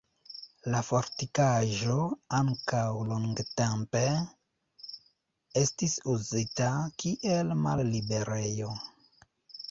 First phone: l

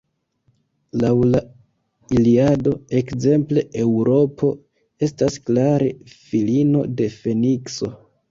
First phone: l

